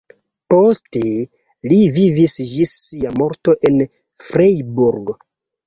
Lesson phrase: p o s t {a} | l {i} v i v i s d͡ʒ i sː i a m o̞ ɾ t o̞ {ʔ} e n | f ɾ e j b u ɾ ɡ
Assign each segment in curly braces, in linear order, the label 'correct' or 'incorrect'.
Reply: incorrect, correct, correct

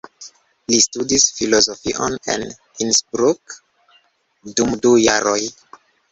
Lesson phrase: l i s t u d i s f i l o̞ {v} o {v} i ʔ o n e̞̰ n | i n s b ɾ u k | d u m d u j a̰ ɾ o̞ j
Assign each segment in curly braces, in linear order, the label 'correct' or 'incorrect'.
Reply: incorrect, incorrect

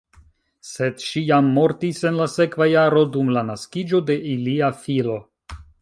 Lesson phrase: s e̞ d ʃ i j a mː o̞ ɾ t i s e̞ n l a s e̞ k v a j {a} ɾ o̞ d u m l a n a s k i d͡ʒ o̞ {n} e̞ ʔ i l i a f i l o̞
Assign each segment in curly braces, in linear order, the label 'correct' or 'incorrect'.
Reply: correct, incorrect

